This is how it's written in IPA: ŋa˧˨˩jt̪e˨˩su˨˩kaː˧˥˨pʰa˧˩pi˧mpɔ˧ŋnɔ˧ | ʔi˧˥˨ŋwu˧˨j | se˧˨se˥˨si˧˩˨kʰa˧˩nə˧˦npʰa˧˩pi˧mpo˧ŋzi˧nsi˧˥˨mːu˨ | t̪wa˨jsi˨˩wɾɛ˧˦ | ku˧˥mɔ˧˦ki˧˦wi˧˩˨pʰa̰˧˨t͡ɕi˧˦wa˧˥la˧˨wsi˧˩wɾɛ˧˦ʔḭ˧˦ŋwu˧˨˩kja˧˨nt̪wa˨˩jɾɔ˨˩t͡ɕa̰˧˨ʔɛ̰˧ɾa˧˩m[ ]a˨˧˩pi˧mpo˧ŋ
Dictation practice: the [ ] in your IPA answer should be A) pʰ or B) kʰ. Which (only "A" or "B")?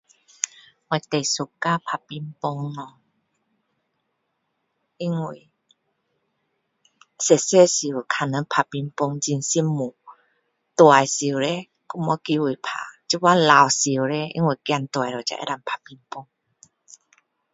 A